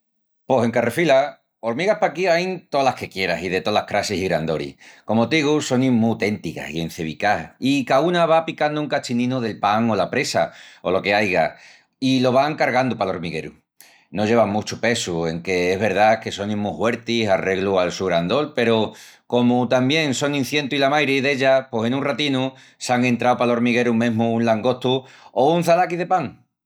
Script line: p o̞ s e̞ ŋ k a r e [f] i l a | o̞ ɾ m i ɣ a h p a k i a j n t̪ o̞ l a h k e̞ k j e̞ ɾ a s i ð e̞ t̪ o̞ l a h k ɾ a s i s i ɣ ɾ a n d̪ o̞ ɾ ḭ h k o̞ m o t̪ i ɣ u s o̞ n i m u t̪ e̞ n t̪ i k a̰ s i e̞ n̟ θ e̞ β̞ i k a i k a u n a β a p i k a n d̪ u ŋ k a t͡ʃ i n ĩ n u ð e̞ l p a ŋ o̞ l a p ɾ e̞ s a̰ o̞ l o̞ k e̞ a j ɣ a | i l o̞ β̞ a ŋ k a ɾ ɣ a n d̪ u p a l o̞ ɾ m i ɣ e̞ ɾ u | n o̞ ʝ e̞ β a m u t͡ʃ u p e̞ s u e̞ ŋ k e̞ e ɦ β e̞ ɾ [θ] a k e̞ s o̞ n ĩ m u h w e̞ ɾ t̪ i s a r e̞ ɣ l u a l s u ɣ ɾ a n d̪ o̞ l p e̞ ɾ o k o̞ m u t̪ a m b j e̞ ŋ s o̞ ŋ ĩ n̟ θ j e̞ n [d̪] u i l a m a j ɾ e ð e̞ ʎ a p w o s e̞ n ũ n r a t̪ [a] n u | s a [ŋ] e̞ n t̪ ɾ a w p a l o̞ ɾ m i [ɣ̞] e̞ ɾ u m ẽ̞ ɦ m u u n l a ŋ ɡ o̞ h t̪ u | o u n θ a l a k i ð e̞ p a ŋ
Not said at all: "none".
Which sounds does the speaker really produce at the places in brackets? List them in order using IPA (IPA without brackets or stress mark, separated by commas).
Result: f, ð, t̪, i, ŋ, ɣ̞